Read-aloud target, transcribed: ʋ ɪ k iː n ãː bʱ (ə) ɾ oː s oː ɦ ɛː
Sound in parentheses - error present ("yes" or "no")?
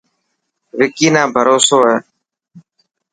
no